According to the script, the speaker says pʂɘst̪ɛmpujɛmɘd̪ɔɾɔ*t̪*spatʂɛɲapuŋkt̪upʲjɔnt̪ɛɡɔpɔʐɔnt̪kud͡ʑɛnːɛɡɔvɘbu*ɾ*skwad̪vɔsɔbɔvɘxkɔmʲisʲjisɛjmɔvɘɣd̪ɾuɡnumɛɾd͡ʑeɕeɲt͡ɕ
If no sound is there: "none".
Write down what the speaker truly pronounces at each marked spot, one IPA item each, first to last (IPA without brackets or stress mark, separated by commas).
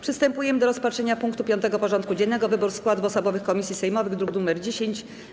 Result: none, ɾ